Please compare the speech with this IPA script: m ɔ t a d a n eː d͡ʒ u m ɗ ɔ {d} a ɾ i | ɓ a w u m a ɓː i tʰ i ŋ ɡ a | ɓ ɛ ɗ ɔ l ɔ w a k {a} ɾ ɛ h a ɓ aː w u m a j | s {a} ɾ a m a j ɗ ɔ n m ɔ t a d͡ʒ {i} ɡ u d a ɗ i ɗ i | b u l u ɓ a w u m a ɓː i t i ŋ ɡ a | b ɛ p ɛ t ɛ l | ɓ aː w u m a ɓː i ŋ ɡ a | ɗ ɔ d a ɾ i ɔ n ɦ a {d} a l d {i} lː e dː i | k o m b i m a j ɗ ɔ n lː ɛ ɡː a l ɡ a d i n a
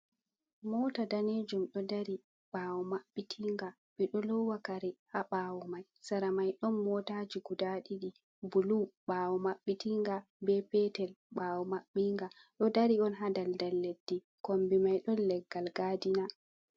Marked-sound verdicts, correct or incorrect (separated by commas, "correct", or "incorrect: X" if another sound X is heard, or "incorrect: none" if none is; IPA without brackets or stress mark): correct, correct, correct, correct, correct, incorrect: a